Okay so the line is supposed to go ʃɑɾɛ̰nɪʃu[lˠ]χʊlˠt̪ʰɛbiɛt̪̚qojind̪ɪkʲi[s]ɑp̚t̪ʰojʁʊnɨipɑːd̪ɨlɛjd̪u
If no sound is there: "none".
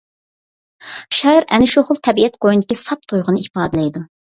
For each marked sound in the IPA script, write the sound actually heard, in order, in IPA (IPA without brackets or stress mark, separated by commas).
none, s